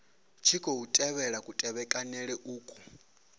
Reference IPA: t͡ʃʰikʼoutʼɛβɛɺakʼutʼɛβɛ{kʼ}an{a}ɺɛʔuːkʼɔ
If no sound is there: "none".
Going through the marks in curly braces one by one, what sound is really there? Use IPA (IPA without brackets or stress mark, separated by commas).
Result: kʼ, ɛ